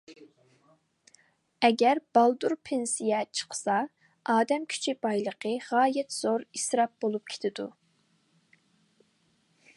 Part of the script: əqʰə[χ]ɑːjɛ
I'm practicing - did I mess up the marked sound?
yes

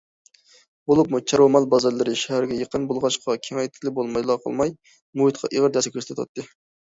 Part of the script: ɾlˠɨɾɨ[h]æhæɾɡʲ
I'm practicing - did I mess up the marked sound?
yes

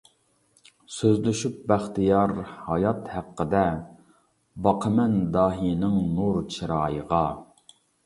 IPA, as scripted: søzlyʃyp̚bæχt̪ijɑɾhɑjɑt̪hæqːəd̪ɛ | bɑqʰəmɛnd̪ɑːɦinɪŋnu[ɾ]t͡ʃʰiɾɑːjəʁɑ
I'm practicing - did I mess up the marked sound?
no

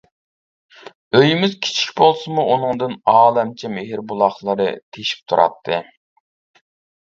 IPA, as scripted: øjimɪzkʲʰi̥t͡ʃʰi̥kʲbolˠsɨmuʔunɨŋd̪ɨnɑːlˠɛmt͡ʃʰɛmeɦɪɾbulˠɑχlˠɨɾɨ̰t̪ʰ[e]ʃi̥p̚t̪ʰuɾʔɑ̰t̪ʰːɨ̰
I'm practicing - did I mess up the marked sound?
no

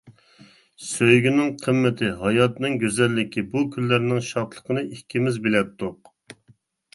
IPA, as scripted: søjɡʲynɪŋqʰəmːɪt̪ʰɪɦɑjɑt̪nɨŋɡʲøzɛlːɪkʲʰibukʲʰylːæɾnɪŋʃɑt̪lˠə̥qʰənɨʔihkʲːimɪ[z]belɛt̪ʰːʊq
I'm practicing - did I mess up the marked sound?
no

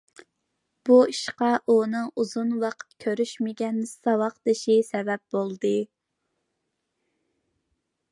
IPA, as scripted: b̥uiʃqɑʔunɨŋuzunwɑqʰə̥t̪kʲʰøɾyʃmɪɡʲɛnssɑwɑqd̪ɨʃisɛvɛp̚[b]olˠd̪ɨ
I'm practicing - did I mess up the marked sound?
no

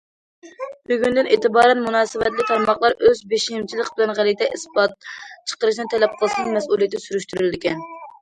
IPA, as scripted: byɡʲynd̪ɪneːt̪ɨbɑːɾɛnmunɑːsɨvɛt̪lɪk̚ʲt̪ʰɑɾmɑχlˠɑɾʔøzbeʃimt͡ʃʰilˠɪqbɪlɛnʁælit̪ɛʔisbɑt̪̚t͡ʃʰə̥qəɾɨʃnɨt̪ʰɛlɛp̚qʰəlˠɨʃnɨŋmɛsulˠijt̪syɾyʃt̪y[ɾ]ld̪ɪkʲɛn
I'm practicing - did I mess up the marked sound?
no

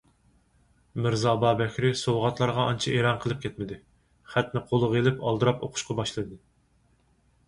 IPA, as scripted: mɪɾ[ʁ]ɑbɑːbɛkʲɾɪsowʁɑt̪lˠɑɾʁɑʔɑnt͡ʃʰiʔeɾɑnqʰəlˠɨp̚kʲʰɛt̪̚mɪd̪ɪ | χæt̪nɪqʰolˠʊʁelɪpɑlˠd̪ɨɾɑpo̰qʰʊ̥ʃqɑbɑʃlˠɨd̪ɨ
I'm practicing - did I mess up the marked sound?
yes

